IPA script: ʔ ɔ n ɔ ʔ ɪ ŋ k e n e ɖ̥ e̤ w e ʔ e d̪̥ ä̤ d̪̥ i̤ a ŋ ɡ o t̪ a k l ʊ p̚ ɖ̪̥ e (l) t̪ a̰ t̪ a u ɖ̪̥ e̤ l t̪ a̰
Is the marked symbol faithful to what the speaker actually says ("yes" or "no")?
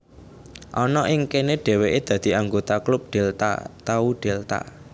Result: yes